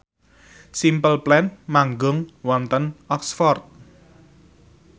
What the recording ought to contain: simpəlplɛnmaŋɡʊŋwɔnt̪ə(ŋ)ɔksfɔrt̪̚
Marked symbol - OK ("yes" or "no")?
no